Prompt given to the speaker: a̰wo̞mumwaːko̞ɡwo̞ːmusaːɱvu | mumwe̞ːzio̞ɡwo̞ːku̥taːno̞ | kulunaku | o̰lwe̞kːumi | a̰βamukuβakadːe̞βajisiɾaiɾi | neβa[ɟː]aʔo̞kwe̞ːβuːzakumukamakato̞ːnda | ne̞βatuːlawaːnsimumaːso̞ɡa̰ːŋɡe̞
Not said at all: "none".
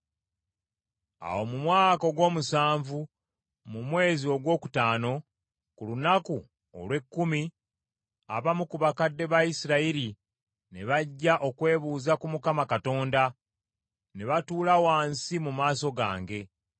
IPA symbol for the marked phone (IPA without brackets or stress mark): ɟː